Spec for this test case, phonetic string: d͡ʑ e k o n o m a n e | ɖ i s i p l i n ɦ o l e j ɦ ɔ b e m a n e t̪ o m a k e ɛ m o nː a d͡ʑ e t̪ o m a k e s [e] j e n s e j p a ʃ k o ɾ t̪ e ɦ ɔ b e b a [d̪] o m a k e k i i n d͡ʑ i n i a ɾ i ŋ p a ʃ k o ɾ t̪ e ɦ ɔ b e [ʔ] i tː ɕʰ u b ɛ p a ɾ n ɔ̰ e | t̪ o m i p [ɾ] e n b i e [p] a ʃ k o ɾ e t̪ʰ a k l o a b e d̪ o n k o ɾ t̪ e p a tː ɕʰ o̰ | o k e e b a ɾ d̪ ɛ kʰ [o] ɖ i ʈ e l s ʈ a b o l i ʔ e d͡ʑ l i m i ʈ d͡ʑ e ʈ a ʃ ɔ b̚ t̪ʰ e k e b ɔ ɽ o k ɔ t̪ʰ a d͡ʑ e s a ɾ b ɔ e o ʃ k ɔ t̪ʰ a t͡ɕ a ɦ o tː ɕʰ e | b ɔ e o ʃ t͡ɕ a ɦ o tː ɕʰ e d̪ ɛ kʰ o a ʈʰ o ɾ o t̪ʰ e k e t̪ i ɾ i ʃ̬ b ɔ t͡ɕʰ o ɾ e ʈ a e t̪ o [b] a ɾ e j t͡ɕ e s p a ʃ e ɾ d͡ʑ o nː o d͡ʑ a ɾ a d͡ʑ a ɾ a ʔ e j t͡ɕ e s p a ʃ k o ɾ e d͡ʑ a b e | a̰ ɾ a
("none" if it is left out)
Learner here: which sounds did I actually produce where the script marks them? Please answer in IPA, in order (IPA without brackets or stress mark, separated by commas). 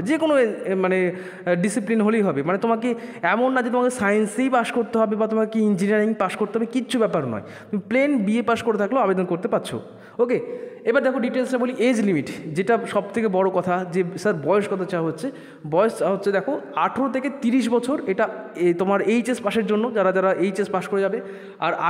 a, t̪, k, l, p, o, m